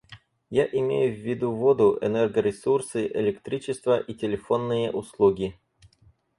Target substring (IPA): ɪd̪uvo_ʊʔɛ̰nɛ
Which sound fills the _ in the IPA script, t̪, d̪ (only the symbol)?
d̪